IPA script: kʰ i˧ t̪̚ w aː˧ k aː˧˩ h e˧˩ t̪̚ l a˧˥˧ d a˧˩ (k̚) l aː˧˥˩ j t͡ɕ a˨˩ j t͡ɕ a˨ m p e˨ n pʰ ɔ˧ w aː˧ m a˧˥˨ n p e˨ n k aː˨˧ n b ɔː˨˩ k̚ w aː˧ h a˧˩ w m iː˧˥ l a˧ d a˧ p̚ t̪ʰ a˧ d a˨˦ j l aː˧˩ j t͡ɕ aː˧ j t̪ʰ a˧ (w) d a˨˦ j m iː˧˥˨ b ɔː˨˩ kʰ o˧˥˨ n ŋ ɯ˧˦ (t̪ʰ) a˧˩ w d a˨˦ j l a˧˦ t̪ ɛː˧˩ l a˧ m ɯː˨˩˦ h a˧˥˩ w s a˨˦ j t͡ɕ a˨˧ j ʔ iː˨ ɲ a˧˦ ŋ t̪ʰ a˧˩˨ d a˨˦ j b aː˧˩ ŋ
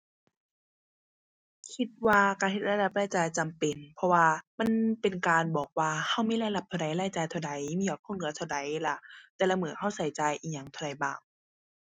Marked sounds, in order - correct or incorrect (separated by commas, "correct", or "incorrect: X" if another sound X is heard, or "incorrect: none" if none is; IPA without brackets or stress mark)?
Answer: incorrect: p̚, correct, correct